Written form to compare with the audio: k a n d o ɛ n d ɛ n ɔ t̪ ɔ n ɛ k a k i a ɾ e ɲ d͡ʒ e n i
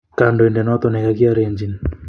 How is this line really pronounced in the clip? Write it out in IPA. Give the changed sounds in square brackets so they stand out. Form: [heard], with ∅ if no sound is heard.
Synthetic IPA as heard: k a n d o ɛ n d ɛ n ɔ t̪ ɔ n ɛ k a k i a ɾ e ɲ d͡ʒ [i] n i